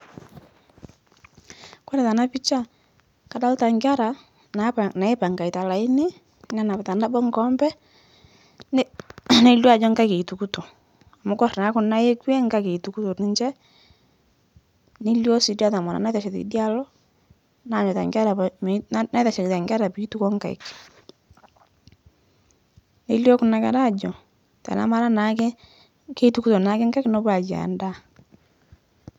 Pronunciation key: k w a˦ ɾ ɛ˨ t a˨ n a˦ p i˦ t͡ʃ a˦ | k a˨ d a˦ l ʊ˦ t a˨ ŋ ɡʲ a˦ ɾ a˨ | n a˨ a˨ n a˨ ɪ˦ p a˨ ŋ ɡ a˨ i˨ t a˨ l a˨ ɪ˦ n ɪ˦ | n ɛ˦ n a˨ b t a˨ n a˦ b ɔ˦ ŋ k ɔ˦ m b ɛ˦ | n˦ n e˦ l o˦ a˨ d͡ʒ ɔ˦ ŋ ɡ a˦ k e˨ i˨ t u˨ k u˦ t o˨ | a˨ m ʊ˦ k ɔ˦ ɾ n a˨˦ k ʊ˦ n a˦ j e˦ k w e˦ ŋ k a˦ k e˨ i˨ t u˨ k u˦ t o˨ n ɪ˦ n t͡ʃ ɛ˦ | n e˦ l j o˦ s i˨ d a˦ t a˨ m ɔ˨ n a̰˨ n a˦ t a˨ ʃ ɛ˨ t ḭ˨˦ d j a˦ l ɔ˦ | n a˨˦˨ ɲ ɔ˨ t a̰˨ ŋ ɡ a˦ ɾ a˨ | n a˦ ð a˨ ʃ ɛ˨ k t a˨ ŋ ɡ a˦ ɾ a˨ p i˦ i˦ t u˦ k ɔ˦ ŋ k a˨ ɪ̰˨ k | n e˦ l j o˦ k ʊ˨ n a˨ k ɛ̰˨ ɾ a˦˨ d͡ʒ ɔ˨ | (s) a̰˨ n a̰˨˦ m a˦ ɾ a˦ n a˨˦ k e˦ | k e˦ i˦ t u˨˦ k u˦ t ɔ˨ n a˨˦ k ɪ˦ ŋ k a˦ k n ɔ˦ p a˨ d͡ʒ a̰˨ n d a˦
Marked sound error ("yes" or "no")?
yes